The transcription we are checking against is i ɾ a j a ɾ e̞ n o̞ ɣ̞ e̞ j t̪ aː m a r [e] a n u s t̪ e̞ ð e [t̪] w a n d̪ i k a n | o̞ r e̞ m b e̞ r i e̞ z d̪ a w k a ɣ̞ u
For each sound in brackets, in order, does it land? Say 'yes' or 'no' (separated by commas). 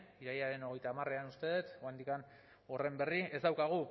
yes, yes